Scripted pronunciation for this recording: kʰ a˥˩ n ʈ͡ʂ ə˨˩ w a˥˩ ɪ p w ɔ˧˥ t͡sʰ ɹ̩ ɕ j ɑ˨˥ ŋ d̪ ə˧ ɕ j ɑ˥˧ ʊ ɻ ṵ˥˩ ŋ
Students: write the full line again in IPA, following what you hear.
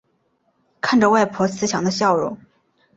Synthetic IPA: kʰ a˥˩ n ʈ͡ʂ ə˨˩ w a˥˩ ɪ pʰ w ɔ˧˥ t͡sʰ ɹ̩ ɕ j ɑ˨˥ ŋ d̪ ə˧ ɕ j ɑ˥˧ ʊ ɻ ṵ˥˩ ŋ